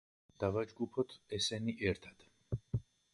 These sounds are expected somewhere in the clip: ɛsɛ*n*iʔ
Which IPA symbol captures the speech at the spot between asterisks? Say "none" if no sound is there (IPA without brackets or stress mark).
n